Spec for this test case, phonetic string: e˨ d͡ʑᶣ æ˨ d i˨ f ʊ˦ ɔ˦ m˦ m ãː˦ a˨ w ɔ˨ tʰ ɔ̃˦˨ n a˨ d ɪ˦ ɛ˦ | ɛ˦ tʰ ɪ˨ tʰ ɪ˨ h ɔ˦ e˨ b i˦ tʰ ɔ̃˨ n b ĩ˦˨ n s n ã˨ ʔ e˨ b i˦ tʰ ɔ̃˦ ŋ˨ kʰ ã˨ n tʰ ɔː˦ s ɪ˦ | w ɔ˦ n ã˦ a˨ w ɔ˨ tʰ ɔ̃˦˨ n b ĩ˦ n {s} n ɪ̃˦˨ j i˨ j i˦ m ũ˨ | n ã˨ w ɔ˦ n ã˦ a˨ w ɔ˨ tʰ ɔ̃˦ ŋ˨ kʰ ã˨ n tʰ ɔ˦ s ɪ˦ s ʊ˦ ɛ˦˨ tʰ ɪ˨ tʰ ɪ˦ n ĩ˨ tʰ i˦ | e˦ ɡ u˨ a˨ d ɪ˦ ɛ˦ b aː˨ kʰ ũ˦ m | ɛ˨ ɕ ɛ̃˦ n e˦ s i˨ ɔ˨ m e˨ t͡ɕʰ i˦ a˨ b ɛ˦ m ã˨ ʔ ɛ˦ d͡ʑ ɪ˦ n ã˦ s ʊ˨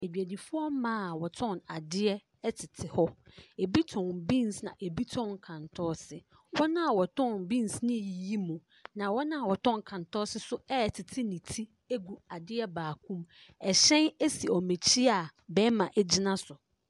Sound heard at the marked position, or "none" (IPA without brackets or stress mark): s